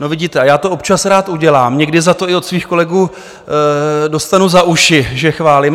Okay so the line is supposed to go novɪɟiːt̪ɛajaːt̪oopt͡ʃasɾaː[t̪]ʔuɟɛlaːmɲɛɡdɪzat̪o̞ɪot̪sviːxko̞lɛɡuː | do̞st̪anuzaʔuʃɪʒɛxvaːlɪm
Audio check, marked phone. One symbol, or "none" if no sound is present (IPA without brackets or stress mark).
t̪